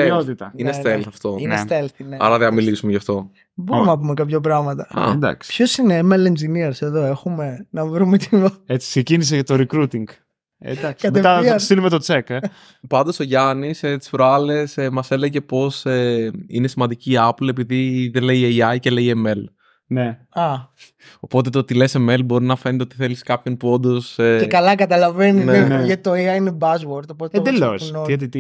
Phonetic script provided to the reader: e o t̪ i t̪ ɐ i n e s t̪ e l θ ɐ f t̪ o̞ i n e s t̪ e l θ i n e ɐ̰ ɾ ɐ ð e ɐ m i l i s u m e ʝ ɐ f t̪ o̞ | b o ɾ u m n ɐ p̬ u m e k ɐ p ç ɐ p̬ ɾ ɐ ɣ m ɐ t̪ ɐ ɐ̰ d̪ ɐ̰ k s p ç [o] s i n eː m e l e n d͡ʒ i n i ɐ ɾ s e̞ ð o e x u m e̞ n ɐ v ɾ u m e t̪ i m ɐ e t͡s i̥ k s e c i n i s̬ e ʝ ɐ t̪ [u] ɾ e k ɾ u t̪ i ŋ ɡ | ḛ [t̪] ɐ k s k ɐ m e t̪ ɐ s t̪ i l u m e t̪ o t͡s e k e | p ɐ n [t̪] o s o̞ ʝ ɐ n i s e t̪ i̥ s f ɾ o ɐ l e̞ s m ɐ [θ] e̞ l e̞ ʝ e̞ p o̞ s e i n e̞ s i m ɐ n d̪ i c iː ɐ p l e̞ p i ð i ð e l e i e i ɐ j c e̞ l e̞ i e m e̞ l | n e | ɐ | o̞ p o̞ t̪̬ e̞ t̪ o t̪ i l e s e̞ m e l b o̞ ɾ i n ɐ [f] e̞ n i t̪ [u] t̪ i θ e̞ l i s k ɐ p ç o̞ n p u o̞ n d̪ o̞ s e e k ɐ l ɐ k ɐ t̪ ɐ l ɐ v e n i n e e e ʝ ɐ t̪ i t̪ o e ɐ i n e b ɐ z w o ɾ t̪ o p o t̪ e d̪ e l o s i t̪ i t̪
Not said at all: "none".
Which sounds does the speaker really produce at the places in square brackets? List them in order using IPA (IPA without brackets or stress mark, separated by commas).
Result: o, o, d̪, d̪, s, f, o